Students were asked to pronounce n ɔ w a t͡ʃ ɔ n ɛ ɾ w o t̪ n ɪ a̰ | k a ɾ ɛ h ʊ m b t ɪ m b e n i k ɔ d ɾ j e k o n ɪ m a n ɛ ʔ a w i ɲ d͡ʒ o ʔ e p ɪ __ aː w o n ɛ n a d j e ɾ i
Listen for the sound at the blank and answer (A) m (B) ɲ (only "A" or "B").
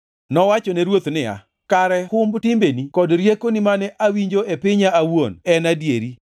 B